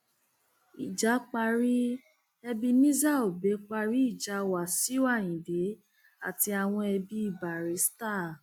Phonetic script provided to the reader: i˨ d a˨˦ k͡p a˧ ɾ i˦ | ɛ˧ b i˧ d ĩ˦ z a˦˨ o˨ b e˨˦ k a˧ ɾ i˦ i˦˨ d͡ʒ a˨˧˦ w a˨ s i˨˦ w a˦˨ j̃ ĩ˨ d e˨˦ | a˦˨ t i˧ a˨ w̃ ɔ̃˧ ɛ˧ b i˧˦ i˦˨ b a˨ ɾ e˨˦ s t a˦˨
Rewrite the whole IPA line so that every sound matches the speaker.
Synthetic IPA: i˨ d͡ʒ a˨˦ k͡p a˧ ɾ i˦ | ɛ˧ b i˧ n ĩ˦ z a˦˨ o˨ b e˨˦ k͡p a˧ ɾ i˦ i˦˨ d͡ʒ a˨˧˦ w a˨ s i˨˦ w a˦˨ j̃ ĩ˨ d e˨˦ | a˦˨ t i˧ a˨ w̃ ɔ̃˧ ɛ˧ b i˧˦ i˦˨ b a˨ ɾ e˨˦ s t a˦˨